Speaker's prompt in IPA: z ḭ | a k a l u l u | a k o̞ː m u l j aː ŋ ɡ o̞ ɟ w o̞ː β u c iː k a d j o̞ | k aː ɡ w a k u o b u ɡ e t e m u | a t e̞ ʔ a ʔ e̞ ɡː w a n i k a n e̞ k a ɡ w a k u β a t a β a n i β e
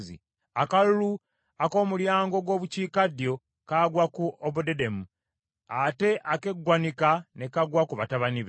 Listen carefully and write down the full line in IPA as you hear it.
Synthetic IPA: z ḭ | a k a l u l u | a k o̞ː m u l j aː ŋ ɡ o̞ ɡ w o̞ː β u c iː k a d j o̞ | k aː ɡ w a k u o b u d e d e m u | a t e̞ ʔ a k e̞ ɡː w a n i k a n e̞ k a ɡ w a k u β a t a β a n i β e